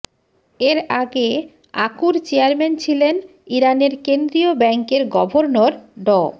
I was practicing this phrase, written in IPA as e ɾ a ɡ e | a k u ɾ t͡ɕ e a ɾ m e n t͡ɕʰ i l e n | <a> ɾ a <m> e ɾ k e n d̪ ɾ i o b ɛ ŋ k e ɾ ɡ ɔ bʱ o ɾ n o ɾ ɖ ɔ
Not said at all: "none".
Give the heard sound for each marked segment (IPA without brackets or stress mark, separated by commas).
i, n